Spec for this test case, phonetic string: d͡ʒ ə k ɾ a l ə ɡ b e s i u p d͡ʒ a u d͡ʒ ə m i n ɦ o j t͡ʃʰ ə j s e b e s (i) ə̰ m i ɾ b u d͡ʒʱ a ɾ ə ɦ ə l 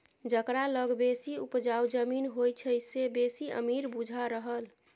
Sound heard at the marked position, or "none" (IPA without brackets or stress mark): i